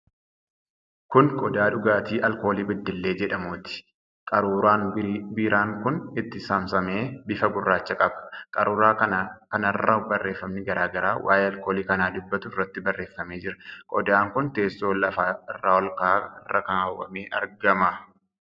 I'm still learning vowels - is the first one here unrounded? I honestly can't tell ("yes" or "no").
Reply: no